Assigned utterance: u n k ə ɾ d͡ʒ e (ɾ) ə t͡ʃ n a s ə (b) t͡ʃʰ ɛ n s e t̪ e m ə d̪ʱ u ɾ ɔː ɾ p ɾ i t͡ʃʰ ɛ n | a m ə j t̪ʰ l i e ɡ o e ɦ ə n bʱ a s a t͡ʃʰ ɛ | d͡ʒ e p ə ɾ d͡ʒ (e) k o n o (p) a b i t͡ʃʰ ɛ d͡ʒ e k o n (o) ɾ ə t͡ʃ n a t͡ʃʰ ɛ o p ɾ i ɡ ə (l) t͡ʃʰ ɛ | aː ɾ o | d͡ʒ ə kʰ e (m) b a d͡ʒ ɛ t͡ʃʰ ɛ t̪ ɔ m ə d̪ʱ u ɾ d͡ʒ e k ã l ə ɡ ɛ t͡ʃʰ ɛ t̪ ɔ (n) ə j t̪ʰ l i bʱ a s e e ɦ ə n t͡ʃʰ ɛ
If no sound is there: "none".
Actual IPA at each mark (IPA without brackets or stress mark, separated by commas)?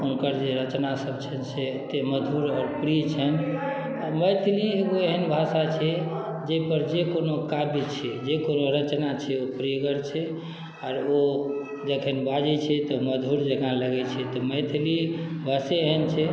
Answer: ɾ, b, e, k, o, ɾ, n, m